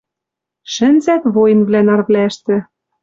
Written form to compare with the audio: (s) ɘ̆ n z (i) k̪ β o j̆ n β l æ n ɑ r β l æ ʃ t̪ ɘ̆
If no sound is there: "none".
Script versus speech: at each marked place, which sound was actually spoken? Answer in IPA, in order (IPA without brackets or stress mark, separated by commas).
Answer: ʃ, æ